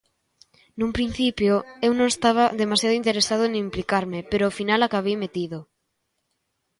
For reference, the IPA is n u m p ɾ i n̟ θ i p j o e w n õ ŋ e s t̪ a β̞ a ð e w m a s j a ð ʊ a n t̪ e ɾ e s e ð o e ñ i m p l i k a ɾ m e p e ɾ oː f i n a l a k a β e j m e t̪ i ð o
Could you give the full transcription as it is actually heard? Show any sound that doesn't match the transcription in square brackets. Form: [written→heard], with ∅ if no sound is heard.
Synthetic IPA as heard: n u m p ɾ i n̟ θ i p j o e w n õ ŋ e s t̪ a β̞ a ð e [w→∅] m a s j a ð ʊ [a→i] n t̪ e ɾ e s [e→a] ð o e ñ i m p l i k a ɾ m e p e ɾ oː f i n a l a k a β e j m e t̪ i ð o